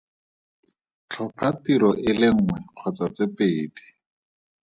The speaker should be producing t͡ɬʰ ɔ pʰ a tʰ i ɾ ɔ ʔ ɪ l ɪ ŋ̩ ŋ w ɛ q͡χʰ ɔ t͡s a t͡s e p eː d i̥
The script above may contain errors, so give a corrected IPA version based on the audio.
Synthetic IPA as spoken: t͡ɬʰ ɔ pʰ a t i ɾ ɔ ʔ ɪ l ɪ ŋ̩ ŋ w ɛ q͡χʰ ɔ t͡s a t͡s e p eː d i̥